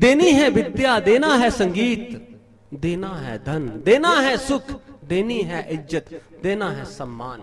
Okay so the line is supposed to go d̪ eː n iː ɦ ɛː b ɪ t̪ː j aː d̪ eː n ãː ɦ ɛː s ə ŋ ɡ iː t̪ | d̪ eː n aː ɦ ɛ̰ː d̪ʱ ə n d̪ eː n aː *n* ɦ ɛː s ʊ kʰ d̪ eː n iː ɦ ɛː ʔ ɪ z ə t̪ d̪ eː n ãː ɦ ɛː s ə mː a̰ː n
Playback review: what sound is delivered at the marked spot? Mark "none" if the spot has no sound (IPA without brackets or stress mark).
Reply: none